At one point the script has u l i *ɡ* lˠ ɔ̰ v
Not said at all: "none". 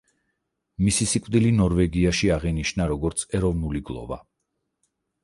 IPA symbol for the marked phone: ɡ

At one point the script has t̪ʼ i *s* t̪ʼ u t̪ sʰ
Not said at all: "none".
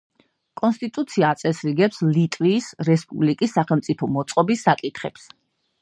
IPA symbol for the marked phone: none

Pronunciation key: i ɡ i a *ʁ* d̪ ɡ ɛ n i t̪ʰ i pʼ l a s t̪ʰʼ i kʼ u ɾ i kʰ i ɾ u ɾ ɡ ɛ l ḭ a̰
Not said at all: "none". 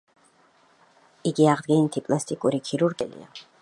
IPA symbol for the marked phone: ʁ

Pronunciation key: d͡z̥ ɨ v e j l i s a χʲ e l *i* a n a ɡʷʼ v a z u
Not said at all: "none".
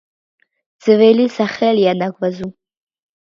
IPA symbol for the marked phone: j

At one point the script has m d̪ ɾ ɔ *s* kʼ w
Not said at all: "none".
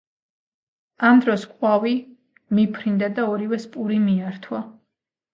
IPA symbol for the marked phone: s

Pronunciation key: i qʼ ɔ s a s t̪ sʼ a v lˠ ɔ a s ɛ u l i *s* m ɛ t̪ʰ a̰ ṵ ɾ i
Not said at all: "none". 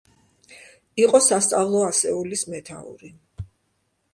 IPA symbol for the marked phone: s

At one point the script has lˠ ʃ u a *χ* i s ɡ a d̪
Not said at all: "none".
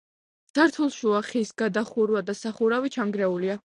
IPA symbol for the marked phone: χ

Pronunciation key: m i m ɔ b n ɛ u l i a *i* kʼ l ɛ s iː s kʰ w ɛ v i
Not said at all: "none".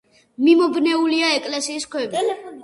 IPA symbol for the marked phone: ɛ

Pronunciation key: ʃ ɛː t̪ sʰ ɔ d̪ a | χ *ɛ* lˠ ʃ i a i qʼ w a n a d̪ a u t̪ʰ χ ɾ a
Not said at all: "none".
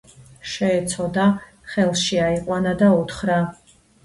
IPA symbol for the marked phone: ɛ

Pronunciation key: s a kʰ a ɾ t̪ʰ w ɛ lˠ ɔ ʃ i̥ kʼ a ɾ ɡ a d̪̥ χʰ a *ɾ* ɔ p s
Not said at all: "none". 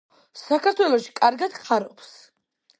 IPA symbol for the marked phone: ɾ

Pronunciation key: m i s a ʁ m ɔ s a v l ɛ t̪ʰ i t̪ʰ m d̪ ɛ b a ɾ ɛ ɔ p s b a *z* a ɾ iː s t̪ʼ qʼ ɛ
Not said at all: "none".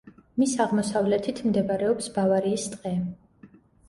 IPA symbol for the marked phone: v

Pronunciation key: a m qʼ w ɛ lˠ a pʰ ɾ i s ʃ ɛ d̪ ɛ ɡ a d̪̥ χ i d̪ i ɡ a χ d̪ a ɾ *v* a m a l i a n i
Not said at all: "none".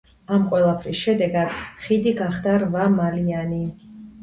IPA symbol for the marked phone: v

